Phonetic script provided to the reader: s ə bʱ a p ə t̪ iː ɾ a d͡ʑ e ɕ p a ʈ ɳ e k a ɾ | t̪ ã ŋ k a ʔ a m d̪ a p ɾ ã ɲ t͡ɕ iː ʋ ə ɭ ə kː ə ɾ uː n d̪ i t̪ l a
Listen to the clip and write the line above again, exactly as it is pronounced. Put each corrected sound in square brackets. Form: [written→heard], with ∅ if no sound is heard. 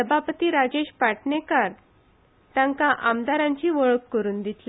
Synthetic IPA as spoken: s ə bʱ a p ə t̪ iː ɾ a d͡ʑ e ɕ p a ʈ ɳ e k a ɾ | t̪ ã ŋ k a ʔ a m d̪ a [p→∅] ɾ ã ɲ t͡ɕ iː ʋ ə ɭ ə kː ə ɾ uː n d̪ i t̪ l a